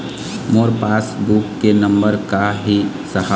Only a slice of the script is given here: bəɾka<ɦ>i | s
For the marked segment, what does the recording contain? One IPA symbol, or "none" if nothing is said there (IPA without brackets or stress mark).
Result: ɦ